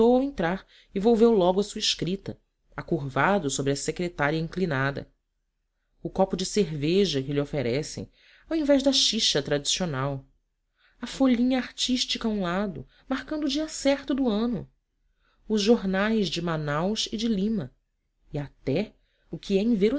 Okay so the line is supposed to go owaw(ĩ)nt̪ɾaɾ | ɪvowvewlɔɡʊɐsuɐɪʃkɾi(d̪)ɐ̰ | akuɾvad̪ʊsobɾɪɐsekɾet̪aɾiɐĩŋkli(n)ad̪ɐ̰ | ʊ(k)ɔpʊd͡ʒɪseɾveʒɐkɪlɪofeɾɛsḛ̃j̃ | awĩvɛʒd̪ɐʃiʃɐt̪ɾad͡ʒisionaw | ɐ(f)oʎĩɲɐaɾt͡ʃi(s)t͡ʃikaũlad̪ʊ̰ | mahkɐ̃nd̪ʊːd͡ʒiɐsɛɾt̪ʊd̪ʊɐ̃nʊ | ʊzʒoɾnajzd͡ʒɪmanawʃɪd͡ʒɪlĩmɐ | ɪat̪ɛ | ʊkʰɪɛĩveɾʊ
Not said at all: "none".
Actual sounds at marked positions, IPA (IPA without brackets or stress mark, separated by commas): ẽ, t̪, n, k, f, ʃ